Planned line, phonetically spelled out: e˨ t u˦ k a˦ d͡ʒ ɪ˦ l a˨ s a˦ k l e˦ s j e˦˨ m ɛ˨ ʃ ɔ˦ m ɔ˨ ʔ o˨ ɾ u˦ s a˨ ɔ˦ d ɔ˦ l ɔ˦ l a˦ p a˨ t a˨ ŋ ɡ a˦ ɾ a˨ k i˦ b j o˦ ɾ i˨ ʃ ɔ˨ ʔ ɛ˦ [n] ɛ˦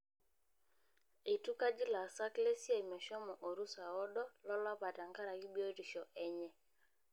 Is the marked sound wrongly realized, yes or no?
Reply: yes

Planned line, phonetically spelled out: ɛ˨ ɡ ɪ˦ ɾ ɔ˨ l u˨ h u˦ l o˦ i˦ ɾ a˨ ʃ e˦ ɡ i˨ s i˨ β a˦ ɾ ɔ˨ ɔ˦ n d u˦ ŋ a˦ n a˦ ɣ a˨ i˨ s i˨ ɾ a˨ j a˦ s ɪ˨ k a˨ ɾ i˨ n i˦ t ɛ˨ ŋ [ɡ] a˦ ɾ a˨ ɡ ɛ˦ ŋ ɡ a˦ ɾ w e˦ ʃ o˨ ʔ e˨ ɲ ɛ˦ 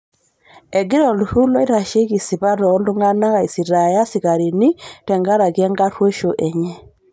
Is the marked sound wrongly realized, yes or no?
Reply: no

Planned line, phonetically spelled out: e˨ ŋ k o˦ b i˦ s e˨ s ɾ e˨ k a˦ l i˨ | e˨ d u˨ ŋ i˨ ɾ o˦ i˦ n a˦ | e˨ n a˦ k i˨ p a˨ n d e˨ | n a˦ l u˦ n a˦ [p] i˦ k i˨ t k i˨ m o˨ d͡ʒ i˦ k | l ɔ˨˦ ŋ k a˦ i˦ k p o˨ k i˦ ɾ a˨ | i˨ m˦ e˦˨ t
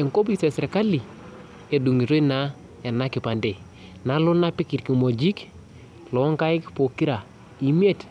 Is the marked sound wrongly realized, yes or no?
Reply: no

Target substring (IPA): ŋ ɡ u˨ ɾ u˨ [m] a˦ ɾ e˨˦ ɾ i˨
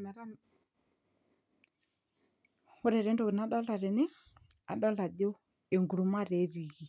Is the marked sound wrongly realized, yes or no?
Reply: no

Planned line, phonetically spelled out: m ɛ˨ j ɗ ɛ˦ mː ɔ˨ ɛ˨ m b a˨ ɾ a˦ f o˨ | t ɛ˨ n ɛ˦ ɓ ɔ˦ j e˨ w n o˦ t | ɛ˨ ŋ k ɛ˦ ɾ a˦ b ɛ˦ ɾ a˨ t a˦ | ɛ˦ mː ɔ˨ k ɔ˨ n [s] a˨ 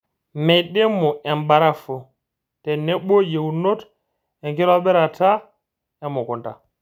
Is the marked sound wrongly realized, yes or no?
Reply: yes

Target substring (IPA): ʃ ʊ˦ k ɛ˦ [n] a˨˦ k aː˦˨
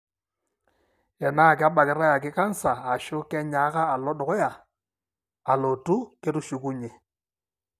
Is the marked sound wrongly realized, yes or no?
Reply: yes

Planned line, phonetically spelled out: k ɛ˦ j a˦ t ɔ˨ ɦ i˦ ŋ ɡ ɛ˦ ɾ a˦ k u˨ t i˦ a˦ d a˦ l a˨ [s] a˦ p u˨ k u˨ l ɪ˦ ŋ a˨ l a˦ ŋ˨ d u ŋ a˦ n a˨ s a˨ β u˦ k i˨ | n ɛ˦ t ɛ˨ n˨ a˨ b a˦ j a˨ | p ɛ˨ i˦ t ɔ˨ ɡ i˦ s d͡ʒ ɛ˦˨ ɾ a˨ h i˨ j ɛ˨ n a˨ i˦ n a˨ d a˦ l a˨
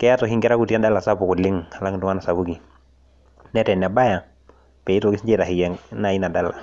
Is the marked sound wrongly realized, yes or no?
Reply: no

